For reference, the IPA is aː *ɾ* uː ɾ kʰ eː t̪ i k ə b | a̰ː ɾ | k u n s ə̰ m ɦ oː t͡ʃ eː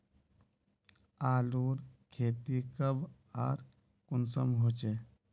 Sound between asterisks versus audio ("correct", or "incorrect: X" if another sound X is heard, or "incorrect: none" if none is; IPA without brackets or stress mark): incorrect: l